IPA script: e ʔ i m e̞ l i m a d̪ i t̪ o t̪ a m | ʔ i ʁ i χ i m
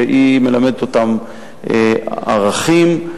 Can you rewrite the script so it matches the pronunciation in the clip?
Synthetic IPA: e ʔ i m e̞ l a m e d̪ e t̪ o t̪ a m | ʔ a ʁ a χ i m

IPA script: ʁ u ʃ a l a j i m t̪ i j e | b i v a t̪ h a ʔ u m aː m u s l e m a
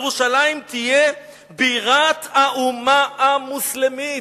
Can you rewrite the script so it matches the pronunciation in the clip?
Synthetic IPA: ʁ u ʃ a l a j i m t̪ i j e | b i ʁ a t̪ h a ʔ u m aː m u s l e m i

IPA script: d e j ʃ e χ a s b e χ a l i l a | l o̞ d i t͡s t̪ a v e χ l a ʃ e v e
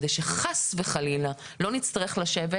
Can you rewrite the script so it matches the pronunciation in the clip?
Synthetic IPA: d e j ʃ e χ a s v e χ a l i l a | l o̞ n i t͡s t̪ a ʁ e χ l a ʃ e v e

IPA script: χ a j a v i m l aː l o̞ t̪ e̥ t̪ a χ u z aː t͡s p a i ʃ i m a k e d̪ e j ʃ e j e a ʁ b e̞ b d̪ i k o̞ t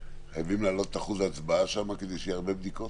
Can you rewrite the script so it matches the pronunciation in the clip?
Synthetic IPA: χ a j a v i m l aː l o̞ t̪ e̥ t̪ a χ u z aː t͡s b a a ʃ a m a k e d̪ e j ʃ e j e a ʁ b e̞ b d̪ i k o̞ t

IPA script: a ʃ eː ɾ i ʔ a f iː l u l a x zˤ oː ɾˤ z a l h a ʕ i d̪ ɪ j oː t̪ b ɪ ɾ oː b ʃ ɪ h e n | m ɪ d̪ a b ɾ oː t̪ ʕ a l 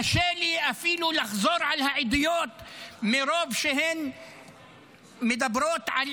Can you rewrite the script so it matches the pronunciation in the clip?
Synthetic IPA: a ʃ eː l i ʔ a f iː l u l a x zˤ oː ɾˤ ʕ a l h a ʕ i d̪ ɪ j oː t̪ m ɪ ɾ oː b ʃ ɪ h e n | m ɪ d̪ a b ɾ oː t̪ ʕ a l

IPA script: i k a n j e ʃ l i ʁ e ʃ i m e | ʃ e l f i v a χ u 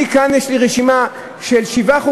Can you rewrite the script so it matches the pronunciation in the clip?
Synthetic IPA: i k a n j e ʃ l i ʁ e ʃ i m a | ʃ e l ʃ i v a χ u

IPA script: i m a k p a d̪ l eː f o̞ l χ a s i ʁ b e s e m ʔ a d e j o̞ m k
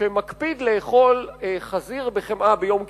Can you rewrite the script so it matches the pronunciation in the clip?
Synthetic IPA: e m a k p i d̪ l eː χ o̞ l χ a z i ʁ b e χ e m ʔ a b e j o̞ m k

